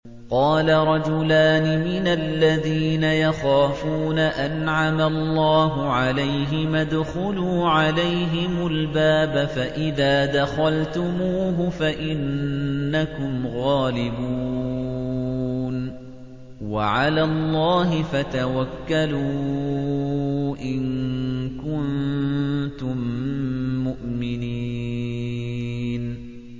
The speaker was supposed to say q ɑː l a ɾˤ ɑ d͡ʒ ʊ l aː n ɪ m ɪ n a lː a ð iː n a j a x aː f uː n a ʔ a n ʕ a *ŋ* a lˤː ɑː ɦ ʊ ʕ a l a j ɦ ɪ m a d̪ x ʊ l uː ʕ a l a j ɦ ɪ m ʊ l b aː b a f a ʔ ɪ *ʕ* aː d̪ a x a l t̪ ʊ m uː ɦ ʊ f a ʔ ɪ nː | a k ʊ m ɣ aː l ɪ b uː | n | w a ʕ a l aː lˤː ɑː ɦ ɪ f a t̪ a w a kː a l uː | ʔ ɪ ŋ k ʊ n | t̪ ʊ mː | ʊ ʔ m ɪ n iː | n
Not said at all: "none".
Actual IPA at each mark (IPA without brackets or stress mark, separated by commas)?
m, ð